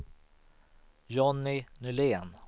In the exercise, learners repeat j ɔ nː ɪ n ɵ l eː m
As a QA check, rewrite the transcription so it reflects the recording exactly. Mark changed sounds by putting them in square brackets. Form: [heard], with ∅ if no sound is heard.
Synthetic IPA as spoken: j ɔ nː ɪ n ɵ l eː [n]